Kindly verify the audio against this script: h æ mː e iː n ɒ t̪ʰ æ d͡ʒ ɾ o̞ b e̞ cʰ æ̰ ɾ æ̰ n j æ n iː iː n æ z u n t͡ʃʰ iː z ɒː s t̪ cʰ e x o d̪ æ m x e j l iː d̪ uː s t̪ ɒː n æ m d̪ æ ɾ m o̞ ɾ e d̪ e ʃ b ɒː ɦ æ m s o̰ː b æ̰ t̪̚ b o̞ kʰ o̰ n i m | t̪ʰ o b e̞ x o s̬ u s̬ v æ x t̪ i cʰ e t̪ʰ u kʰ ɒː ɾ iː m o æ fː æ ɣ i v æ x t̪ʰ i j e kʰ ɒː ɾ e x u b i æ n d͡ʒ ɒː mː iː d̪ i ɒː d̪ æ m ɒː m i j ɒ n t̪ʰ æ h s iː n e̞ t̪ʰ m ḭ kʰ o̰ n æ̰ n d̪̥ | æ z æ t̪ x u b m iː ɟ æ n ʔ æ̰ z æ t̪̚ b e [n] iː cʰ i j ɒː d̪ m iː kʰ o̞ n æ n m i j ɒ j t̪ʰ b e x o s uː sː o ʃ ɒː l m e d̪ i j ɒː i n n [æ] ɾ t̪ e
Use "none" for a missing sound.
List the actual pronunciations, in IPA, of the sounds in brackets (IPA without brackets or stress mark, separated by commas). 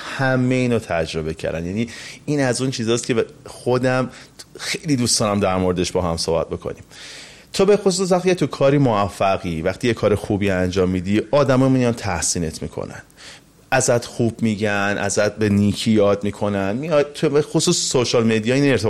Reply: n, e